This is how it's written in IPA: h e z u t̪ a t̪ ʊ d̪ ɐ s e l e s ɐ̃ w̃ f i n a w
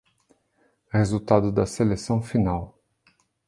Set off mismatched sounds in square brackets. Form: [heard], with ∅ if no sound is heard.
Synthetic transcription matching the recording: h e z u t̪ a [d̪] ʊ d̪ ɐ s e l e s ɐ̃ w̃ f i n a w